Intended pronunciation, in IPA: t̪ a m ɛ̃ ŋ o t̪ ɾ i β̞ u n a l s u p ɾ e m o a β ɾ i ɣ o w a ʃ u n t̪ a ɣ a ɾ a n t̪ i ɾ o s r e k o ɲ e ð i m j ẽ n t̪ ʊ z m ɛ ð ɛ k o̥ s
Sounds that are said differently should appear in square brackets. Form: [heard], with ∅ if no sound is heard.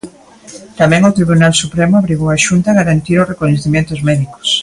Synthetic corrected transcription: t̪ a m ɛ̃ ŋ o t̪ ɾ i β̞ u n a l s u p ɾ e m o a β ɾ i ɣ o w a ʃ u n t̪ a ɣ a ɾ a n t̪ i ɾ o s r e k o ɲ e [θ] i m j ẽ n t̪ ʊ z m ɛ ð [i] k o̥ s